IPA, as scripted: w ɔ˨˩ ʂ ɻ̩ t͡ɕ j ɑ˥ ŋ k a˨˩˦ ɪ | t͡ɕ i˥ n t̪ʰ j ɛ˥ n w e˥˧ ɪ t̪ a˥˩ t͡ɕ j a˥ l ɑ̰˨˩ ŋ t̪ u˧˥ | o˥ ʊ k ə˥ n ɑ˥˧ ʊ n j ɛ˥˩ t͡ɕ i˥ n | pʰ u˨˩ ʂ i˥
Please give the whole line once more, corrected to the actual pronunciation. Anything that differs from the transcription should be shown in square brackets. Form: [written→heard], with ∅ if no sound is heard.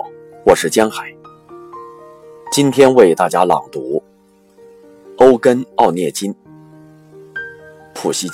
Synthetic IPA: w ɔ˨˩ ʂ ɻ̩ t͡ɕ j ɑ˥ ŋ [k→x] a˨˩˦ ɪ | t͡ɕ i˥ n t̪ʰ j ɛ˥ n w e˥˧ ɪ t̪ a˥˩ t͡ɕ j a˥ l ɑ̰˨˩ ŋ t̪ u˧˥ | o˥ ʊ k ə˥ n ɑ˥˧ ʊ n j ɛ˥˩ t͡ɕ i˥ n | pʰ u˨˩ [ʂ→ɕ] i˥